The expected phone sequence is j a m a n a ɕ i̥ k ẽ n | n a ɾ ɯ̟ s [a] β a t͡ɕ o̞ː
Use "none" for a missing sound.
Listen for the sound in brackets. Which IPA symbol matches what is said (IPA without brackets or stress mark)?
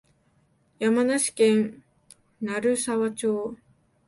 a